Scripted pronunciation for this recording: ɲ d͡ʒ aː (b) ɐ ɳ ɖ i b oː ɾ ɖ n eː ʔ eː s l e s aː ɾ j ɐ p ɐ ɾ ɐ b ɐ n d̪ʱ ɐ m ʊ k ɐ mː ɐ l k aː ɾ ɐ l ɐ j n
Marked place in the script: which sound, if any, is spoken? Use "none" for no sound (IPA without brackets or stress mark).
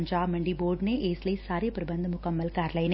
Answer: m